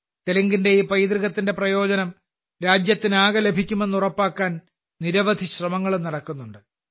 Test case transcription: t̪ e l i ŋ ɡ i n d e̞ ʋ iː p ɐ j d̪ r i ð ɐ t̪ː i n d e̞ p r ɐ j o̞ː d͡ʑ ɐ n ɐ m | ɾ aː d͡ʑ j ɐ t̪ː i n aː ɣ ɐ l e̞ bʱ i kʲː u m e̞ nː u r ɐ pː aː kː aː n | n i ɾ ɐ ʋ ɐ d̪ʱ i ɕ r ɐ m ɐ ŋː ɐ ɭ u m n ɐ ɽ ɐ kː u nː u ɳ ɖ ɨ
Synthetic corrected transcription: t̪ e l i ŋ ɡ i n d e̞ iː p ɐ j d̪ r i ɣ ɐ t̪ː i n d e̞ p r ɐ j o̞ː d͡ʑ ɐ n ɐ m | ɾ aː d͡ʑ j ɐ t̪ː i n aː ɣ ɐ l e̞ bʱ i kʲː u m e̞ nː u r ɐ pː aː kː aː n | n i ɾ ɐ ʋ ɐ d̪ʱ i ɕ r ɐ m ɐ ŋː ɐ ɭ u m n ɐ ɽ ɐ kː u nː u ɳ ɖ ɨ

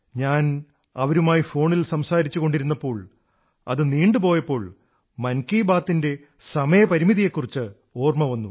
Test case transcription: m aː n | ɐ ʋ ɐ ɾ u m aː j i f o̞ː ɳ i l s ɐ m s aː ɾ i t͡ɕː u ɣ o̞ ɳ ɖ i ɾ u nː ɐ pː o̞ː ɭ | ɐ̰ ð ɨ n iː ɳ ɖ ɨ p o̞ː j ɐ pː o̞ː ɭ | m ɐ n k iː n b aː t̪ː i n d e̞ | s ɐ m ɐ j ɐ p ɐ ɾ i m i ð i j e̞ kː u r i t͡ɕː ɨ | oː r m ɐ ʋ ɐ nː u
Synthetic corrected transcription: ɲ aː n | ɐ ʋ ɐ ɾ u m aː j i f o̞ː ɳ i l s ɐ m s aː ɾ i t͡ɕː u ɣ o̞ ɳ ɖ i ɾ u nː ɐ pː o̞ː ɭ | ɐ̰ ð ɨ n iː ɳ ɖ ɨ p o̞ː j ɐ pː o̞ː ɭ | m ɐ n k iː b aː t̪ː i n d e̞ | s ɐ m ɐ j ɐ p ɐ ɾ i m i ð i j e̞ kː u r i t͡ɕː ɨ | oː r m ɐ ʋ ɐ nː u

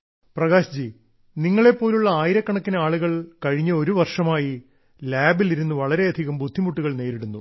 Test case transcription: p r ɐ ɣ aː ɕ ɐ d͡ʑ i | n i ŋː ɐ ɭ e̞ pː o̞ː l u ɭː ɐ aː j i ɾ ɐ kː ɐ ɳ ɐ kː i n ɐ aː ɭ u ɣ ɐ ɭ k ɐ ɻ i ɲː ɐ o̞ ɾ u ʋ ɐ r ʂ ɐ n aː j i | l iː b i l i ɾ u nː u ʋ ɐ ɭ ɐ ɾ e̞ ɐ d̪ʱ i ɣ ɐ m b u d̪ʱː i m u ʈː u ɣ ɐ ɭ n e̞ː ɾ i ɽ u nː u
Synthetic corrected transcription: p r ɐ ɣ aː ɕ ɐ d͡ʑ i | n i ŋː ɐ ɭ e̞ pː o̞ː l u ɭː ɐ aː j i ɾ ɐ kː ɐ ɳ ɐ kː i n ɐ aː ɭ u ɣ ɐ ɭ k ɐ ɻ i ɲː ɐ o̞ ɾ u ʋ ɐ r ʂ ɐ m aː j i | l aː b i l i ɾ u nː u ʋ ɐ ɭ ɐ ɾ e̞ ɐ d̪ʱ i ɣ ɐ m b u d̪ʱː i m u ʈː u ɣ ɐ ɭ n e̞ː ɾ i ɽ u nː u

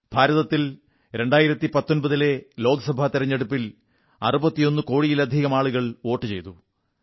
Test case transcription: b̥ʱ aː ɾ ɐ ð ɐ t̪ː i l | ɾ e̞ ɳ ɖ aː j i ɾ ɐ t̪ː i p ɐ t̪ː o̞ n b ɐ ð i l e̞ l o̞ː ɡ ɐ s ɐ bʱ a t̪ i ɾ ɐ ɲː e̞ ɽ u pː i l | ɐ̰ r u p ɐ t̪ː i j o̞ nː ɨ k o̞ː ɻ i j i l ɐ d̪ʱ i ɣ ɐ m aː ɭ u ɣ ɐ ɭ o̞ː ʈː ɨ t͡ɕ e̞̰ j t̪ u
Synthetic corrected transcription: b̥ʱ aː ɾ ɐ ð ɐ t̪ː i l | ɾ e̞ ɳ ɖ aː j i ɾ ɐ t̪ː i p ɐ t̪ː o̞ n b ɐ ð i l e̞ l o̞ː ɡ ɐ s ɐ bʱ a t̪ i ɾ ɐ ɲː e̞ ɽ u pː i l | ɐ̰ r u b ɐ t̪ː i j o̞ nː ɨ k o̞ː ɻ i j i l ɐ d̪ʱ i ɣ ɐ m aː ɭ u ɣ ɐ ɭ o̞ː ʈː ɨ t͡ɕ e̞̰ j t̪ u

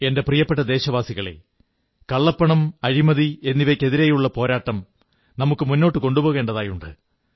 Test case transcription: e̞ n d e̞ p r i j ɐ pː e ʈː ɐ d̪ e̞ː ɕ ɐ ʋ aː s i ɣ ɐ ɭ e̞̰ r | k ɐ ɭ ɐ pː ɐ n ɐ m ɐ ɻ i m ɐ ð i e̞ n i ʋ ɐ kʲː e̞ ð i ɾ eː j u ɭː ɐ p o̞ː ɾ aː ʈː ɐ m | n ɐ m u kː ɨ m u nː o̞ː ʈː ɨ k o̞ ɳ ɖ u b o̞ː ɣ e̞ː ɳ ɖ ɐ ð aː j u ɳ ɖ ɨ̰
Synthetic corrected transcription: e̞ n d e̞ p r i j ɐ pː e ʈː ɐ d̪ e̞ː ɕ ɐ ʋ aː s i ɣ ɐ ɭ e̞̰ | k ɐ ɭː ɐ pː ɐ ɳ ɐ m ɐ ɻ i m ɐ ð i e̞ nː i ʋ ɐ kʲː e̞ ð i ɾ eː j u ɭː ɐ p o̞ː ɾ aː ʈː ɐ m | n ɐ m u kː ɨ m u nː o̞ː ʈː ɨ k o̞ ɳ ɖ u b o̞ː ɣ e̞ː ɳ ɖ ɐ ð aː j u ɳ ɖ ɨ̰

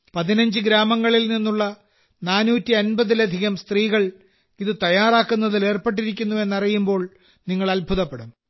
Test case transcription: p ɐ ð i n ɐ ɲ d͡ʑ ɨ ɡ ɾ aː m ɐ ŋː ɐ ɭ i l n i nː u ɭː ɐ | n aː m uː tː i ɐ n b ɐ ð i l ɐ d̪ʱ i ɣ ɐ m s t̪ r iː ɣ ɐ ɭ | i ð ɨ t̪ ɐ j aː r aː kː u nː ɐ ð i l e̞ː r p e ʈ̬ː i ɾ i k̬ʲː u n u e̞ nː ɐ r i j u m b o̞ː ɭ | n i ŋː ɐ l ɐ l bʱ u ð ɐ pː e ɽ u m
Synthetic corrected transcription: p ɐ ð i n ɐ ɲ d͡ʑ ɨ ɡ ɾ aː m ɐ ŋː ɐ ɭ i l n i nː u ɭː ɐ | n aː n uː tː i ɐ n b ɐ ð i l ɐ d̪ʱ i ɣ ɐ m s t̪ r iː ɣ ɐ ɭ | i ð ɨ t̪ ɐ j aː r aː kː u nː ɐ ð i l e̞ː r p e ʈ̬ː i ɾ i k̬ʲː u nː u e̞ nː ɐ r i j u m b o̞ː ɭ | n i ŋː ɐ ɭ ɐ l bʱ u ð ɐ pː e ɽ u m

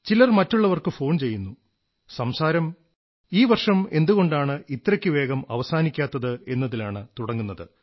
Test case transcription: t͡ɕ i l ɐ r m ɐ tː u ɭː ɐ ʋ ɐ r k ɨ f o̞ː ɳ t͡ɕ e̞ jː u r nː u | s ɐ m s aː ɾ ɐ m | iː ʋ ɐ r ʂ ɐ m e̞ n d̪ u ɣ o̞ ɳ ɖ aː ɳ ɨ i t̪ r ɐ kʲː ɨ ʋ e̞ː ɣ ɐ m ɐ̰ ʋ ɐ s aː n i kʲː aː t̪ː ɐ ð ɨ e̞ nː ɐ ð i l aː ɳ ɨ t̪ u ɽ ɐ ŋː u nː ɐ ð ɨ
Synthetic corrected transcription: t͡ɕ i l ɐ r m ɐ tː u ɭː ɐ ʋ ɐ r k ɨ f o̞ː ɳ t͡ɕ e̞ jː u nː u | s ɐ m s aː ɾ ɐ m | iː ʋ ɐ r ʂ ɐ m e̞ n d̪ u ɣ o̞ ɳ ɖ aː ɳ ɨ i t̪ r ɐ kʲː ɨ ʋ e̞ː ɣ ɐ m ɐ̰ ʋ ɐ s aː n i kʲː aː t̪ː ɐ ð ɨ e̞ nː ɐ ð i l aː ɳ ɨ t̪ u ɽ ɐ ŋː u nː ɐ ð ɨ

